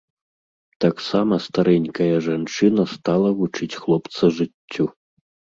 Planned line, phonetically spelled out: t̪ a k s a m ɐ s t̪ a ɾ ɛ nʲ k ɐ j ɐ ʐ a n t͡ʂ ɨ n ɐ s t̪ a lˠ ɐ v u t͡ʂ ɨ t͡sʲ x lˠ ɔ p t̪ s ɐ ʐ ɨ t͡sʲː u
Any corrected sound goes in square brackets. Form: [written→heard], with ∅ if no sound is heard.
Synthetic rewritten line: t̪ a k s a m ɐ s t̪ a ɾ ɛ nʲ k ɐ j ɐ ʐ a n t͡ʂ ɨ n ɐ s t̪ a lˠ ɐ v u t͡ʂ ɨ t͡sʲ x lˠ ɔ p t̪ s ɐ ʐ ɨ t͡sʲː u